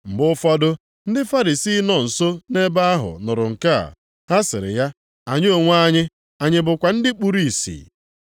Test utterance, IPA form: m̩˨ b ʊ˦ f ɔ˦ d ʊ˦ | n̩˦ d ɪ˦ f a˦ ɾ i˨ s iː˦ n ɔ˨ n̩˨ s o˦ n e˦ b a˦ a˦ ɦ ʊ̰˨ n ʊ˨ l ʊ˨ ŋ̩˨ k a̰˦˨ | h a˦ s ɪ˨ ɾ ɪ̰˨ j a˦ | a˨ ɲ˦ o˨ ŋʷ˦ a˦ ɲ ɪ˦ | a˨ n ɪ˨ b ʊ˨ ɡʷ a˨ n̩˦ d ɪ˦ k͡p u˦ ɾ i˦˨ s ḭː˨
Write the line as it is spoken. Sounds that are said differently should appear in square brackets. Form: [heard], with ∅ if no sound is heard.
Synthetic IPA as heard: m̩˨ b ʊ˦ f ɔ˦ d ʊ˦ | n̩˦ d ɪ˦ f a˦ ɾ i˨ s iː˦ n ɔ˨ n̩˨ s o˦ n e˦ b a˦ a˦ ɦ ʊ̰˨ n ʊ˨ [ɾ] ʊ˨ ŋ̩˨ k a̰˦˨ | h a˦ s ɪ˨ ɾ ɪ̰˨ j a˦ | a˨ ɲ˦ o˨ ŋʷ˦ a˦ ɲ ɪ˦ | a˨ [ɲ] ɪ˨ b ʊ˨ [kʷ] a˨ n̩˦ d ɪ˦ k͡p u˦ ɾ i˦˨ s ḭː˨

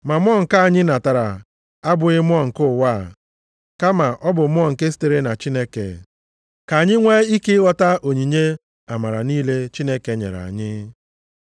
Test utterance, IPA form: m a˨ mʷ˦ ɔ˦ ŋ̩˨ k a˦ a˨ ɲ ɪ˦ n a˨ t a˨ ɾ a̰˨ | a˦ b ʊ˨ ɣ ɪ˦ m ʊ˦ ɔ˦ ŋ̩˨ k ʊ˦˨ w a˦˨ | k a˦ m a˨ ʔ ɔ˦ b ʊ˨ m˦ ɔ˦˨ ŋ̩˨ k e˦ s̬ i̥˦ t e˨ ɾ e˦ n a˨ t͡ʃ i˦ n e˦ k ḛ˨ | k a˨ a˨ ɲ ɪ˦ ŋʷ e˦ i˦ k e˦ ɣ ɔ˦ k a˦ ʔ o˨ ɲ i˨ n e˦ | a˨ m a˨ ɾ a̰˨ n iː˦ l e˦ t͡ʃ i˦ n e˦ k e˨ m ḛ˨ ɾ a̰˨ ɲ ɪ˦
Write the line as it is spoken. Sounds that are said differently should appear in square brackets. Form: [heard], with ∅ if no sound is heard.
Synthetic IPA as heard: m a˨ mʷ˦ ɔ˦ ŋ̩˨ k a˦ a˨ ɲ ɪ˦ n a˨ t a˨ ɾ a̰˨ | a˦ b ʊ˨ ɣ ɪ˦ m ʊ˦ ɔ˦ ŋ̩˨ k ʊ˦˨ w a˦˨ | k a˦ m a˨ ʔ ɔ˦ b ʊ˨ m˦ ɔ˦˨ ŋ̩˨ k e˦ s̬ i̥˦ t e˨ ɾ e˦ n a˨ t͡ʃ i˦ n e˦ k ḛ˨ | k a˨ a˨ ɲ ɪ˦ ŋʷ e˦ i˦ k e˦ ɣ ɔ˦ [t] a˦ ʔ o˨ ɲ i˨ [ɲ] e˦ | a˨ m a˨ ɾ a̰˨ n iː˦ l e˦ t͡ʃ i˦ n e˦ k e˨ [ɲ] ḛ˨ ɾ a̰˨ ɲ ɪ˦

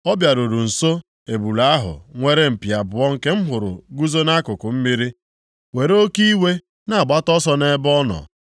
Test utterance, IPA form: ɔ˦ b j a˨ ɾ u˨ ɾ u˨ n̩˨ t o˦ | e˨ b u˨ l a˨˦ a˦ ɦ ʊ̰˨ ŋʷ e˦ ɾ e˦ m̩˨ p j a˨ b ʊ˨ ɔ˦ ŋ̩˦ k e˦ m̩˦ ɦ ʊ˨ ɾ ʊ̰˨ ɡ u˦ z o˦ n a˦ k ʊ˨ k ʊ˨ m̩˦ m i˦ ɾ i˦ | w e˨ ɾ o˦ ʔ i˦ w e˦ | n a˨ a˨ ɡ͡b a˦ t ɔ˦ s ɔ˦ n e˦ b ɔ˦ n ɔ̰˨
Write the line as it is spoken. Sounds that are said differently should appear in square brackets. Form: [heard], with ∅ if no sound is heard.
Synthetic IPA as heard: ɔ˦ b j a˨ ɾ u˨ ɾ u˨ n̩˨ [s] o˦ | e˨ b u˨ l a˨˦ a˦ ɦ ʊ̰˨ ŋʷ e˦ ɾ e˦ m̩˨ p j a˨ b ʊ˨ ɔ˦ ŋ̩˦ k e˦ m̩˦ ɦ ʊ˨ ɾ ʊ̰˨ ɡ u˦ z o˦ n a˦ k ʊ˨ k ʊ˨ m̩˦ m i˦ ɾ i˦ | w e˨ ɾ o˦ [k] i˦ w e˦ | n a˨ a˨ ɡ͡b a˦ t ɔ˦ s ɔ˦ n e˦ b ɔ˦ n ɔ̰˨

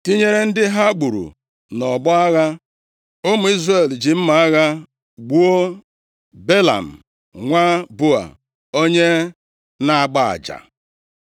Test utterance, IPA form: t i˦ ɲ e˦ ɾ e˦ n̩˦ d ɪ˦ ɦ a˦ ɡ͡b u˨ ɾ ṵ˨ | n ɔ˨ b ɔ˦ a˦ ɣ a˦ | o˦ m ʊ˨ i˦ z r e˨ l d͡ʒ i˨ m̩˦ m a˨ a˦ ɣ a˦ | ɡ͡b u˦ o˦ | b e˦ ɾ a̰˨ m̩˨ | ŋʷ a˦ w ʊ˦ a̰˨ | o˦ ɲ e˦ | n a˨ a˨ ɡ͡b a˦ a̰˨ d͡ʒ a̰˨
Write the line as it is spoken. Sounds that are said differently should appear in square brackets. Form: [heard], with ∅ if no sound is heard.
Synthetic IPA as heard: t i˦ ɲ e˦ ɾ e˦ n̩˦ d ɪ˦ ɦ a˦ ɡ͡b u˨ ɾ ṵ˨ | n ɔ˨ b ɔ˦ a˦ ɣ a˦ | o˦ m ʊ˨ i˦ z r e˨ l d͡ʒ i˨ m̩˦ m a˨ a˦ ɣ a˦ | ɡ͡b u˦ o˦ | b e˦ [l] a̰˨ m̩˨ | ŋʷ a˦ [b] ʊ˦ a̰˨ | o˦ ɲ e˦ | n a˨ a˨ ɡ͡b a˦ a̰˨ d͡ʒ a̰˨

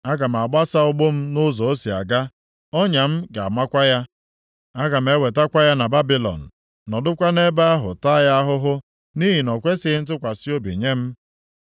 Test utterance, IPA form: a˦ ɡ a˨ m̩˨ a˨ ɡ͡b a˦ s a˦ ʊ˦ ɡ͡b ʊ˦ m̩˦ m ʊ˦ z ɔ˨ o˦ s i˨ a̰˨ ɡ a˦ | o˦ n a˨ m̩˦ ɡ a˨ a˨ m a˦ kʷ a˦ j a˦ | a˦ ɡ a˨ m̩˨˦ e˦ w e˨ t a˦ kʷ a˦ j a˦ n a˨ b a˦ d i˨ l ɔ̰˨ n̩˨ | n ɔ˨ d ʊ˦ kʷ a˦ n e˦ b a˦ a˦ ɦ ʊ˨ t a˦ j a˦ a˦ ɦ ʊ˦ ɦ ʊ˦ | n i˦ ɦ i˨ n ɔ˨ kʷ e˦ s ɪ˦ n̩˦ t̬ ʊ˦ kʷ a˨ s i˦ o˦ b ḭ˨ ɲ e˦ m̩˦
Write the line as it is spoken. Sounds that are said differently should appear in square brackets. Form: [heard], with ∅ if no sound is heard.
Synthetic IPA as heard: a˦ ɡ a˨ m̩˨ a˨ ɡ͡b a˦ s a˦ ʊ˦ ɡ͡b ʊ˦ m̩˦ [n] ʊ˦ z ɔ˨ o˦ s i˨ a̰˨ ɡ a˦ | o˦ [ɲ] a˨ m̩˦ ɡ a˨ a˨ m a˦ kʷ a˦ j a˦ | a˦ ɡ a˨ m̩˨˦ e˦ w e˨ t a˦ kʷ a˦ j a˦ n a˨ b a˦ [b] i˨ l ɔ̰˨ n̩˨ | n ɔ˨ d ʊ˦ kʷ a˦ n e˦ b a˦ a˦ ɦ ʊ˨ t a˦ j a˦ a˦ ɦ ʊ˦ ɦ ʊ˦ | n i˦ ɦ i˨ n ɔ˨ kʷ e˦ s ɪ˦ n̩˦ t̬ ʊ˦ kʷ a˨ s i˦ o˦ b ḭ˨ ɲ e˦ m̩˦

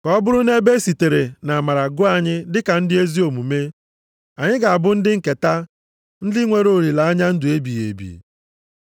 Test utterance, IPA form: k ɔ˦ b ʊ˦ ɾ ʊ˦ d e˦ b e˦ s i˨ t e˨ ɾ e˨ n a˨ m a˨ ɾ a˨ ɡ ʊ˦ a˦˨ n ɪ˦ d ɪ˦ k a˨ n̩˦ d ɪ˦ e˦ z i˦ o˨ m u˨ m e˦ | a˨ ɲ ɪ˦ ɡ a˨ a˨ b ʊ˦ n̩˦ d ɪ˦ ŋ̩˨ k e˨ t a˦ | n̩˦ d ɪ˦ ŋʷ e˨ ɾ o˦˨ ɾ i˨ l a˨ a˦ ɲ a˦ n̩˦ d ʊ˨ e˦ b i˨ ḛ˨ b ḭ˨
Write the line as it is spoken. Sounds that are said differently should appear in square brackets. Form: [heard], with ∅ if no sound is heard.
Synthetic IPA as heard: k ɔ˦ b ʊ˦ ɾ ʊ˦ [n] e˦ b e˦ s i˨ t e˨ ɾ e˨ n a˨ m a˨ ɾ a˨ ɡ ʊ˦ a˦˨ [ɲ] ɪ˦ d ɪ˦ k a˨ n̩˦ d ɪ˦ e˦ z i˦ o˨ m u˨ m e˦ | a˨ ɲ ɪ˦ ɡ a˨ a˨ b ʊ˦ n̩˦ d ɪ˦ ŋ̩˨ k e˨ t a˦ | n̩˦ d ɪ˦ ŋʷ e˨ ɾ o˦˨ ɾ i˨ l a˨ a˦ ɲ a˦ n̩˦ d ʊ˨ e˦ b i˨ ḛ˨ b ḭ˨

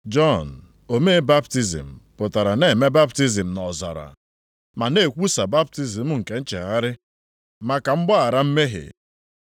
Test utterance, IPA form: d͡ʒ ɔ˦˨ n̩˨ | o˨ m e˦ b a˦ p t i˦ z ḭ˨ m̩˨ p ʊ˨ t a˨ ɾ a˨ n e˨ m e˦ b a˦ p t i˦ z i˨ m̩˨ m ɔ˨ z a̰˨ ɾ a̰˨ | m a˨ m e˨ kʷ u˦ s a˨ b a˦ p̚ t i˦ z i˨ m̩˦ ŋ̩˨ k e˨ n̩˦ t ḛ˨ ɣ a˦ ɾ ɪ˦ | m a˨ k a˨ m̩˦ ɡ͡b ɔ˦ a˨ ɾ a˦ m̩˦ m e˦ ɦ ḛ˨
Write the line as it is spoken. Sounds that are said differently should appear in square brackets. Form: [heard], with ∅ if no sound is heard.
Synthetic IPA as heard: d͡ʒ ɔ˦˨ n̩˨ | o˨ m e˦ b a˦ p t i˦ z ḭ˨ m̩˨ p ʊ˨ t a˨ ɾ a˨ n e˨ m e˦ b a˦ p t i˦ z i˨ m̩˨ [n] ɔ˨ z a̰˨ ɾ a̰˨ | m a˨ [n] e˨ kʷ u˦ s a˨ b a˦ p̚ t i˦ z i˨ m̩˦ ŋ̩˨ k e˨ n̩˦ [t͡ʃ] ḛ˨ ɣ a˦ ɾ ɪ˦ | m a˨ k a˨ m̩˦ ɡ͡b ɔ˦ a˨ ɾ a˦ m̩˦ m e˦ ɦ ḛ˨

